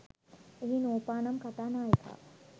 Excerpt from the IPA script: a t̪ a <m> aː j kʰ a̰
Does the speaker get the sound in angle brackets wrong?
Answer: yes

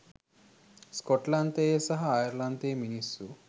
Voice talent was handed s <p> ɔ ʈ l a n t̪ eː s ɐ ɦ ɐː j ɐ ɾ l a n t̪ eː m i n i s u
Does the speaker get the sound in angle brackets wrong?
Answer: yes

